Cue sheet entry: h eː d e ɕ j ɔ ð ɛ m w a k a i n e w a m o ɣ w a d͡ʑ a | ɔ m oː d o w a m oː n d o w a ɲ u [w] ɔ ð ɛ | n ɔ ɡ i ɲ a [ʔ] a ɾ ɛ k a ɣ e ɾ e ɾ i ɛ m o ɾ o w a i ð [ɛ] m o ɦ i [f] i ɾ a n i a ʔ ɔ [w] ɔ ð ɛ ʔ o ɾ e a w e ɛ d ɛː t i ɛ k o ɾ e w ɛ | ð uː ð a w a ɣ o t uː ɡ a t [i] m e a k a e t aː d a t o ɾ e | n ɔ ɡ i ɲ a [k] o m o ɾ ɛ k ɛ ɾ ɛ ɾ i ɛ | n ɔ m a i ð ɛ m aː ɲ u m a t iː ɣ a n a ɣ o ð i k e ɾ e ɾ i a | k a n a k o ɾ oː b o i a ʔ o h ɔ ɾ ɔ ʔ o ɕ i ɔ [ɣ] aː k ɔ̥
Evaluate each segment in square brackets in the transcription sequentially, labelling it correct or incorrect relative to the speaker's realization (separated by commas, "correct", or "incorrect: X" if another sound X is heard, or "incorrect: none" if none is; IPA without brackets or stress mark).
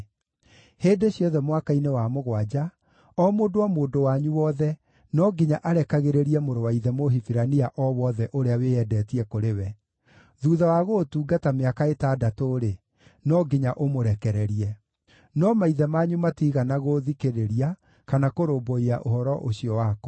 correct, correct, correct, correct, correct, incorrect: a, incorrect: ʔ, incorrect: w